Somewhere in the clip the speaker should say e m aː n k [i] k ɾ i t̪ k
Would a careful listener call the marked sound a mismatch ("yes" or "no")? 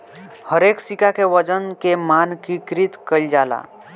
no